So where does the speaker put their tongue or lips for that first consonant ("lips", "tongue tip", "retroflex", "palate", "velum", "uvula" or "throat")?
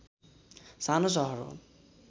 tongue tip